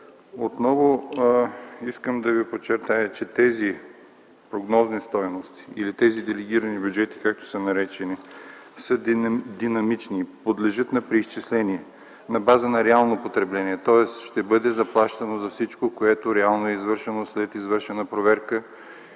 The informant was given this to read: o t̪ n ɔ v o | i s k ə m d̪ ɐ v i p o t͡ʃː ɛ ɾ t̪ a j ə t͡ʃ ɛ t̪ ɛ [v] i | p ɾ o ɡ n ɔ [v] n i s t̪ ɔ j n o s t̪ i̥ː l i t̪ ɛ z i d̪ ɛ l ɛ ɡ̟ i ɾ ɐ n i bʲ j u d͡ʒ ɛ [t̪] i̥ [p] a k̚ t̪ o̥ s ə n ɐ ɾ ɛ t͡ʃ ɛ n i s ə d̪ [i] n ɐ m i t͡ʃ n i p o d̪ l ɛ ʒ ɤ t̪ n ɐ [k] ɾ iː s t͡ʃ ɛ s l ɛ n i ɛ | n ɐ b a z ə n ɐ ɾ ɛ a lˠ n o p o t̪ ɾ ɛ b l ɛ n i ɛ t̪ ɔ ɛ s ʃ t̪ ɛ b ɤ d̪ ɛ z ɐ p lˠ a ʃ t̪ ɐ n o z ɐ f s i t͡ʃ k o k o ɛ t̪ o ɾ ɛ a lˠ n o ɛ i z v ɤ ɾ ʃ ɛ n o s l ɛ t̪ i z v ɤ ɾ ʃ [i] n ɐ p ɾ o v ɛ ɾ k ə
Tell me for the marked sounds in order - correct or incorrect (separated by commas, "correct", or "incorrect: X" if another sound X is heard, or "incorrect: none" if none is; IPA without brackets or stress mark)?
incorrect: z, incorrect: z, correct, incorrect: k, correct, incorrect: p, incorrect: ɛ